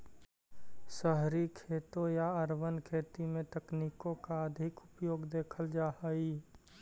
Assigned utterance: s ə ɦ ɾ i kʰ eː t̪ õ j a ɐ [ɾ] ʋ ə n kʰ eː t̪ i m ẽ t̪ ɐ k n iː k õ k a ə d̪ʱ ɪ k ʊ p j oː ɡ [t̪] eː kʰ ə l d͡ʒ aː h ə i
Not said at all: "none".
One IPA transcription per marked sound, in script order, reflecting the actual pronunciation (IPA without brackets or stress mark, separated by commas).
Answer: ɾ, d̪